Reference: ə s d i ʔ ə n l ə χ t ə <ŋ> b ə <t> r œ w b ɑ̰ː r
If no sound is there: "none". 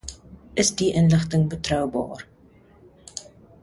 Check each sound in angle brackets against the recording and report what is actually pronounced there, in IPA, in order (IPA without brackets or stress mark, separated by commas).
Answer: ŋ, t